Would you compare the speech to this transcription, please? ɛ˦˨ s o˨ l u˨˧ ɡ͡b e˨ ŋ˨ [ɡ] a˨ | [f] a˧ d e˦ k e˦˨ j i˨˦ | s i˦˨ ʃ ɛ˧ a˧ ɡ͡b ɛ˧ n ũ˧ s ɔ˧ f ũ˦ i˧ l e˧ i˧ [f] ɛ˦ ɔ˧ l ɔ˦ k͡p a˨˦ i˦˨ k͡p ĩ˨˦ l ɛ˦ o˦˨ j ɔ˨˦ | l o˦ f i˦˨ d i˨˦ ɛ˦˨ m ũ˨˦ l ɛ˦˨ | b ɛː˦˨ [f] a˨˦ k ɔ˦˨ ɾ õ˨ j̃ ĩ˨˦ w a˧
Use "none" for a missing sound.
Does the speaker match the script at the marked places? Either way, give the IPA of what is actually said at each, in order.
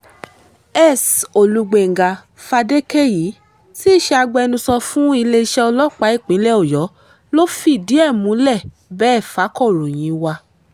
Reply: ɡ, f, ʃ, f

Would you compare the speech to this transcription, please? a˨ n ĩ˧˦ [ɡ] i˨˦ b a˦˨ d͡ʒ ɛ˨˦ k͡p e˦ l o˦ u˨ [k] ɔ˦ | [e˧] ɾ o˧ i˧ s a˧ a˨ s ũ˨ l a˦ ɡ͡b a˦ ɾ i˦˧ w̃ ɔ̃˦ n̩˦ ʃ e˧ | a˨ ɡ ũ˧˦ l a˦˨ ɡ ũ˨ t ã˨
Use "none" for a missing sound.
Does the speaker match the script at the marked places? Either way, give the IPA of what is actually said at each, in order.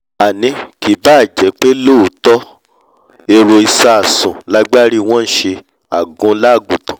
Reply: k, t, e˧

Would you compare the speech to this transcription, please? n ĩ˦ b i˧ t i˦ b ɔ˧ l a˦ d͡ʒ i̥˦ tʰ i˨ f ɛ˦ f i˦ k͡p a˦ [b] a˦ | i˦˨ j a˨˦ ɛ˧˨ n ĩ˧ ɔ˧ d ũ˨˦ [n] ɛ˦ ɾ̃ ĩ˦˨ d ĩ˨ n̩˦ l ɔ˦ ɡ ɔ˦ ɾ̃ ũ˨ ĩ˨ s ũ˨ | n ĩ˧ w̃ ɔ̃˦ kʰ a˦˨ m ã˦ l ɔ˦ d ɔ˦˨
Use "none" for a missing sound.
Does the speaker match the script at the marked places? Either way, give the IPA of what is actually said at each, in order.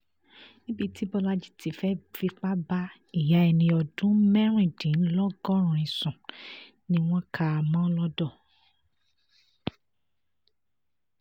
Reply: b, m

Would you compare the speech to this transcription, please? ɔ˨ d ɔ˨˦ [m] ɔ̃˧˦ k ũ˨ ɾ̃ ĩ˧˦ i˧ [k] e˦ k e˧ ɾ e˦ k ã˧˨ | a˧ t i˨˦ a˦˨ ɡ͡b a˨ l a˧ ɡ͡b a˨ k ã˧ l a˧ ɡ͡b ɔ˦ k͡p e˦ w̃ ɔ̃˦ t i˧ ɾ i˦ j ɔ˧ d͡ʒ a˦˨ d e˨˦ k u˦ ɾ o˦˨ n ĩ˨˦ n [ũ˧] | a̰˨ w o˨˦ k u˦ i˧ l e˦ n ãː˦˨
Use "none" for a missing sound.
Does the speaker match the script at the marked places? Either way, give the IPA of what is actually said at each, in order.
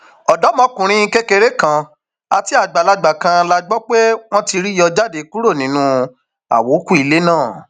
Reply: m, k, ũ˧

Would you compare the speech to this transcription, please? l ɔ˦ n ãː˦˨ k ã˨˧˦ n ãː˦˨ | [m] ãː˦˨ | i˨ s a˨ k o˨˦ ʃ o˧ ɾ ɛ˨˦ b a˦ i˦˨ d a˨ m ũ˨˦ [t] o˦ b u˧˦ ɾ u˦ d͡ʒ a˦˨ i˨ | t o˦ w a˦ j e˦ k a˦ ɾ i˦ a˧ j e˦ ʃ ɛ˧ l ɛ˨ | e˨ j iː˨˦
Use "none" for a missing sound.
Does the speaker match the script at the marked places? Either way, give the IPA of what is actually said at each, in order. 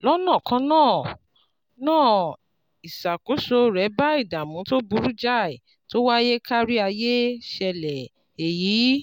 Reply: n, t

